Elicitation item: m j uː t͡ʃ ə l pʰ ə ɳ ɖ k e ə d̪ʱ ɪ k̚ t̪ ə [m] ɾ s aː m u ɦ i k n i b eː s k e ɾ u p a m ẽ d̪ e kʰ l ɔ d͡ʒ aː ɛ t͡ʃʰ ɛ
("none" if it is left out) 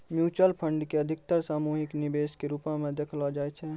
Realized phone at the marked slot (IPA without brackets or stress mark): none